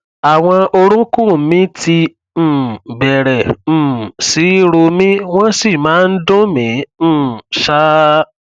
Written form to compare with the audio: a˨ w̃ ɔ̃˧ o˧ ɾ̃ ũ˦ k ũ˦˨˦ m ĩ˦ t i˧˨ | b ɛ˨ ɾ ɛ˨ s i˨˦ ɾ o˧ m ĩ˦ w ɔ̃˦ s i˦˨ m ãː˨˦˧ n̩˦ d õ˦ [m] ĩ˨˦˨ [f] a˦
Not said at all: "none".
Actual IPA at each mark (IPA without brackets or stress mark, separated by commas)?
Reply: m, ʃ